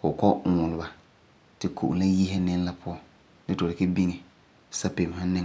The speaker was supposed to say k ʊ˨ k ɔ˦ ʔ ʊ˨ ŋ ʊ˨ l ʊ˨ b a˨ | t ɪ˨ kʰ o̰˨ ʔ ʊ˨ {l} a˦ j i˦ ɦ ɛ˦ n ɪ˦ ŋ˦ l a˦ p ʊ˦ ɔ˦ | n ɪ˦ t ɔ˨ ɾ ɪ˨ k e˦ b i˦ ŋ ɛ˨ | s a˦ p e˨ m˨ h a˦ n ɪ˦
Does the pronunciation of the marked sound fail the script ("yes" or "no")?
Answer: no